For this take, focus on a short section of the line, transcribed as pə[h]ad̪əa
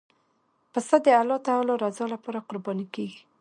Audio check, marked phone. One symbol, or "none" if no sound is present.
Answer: s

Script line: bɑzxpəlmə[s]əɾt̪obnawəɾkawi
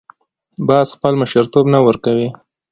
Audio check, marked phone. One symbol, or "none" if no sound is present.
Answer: ʃ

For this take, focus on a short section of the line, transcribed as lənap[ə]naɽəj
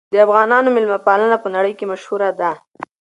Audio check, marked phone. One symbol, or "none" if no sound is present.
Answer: ə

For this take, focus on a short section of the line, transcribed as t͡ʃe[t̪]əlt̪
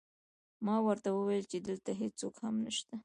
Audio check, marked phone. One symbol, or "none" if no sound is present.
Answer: d̪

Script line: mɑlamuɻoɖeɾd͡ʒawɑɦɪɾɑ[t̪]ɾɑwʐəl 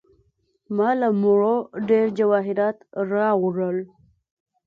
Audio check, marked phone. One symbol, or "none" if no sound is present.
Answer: t̪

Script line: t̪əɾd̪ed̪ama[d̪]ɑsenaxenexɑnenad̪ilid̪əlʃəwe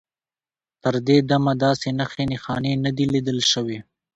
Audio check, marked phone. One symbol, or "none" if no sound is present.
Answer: d̪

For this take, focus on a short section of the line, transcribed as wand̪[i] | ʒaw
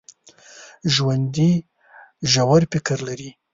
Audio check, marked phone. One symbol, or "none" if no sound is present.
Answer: i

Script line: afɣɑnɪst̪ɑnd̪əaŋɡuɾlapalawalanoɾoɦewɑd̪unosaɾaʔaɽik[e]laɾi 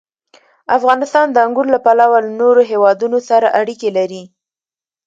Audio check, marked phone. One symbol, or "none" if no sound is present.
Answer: e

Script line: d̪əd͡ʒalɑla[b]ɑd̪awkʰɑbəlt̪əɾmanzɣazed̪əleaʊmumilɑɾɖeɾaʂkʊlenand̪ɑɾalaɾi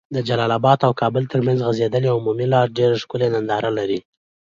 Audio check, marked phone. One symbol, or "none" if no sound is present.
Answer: b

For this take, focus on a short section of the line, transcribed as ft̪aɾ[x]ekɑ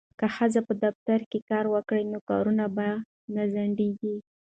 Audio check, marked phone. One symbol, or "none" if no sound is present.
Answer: k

